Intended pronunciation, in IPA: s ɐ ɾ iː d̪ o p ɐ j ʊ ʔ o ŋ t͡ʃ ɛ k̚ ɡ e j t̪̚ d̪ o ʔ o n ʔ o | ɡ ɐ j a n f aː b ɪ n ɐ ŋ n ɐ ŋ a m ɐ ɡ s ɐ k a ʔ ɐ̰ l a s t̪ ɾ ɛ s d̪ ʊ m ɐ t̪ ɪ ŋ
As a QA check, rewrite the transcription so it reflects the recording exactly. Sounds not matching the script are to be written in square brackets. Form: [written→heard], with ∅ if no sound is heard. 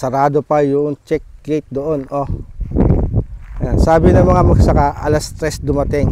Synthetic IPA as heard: s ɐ ɾ [iː→aː] d̪ o p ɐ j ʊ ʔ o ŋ t͡ʃ ɛ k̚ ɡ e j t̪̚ d̪ o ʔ o n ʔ o | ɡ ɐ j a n [f→s] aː b ɪ n ɐ ŋ [n→m] ɐ ŋ a m ɐ ɡ s ɐ k a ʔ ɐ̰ l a s t̪ ɾ ɛ s d̪ ʊ m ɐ t̪ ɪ ŋ